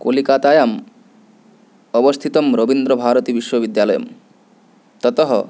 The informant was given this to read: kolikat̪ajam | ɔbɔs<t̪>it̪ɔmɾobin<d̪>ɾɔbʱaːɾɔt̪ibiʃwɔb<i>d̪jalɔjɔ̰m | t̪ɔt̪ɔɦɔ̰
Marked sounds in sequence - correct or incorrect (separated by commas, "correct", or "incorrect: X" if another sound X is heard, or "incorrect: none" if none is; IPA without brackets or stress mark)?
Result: incorrect: t̪ʰ, correct, correct